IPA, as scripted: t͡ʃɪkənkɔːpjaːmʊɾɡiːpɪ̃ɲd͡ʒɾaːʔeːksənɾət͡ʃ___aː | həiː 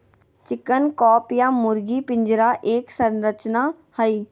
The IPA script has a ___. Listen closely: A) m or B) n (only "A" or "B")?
B